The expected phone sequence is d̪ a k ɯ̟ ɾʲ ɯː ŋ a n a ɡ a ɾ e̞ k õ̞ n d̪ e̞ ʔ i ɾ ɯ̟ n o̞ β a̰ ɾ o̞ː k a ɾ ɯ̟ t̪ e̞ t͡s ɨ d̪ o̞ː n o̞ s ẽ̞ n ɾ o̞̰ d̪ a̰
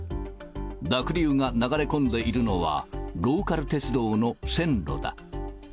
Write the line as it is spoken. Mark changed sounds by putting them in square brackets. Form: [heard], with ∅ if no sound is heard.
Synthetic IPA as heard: d̪ a k ɯ̟ ɾʲ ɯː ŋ a n a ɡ a ɾ e̞ k õ̞ n d̪ e̞ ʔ i ɾ ɯ̟ n o̞ β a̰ ɾ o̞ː k a ɾ ɯ̟ t̪ e̞ t͡s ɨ d̪ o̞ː n o̞ s ẽ̞ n ɾ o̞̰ d̪ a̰